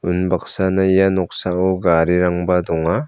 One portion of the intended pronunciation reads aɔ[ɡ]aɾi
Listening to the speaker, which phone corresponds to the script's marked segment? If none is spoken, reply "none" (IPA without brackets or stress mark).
ɡ